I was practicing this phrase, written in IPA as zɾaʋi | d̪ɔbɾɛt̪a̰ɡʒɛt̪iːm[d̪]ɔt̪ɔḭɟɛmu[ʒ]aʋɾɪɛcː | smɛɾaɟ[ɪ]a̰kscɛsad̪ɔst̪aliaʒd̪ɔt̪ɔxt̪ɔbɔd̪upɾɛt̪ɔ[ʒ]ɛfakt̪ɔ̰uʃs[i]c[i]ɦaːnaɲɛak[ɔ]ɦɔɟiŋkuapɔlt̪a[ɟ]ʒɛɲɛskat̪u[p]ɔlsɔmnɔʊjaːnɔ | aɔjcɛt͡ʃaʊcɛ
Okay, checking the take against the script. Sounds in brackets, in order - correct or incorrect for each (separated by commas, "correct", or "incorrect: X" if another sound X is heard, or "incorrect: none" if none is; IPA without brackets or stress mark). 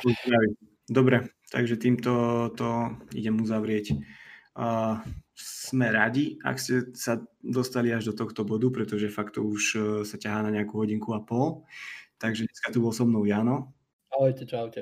incorrect: t̪, incorrect: z, incorrect: i, correct, incorrect: a, incorrect: a, incorrect: u, incorrect: ɡ, incorrect: b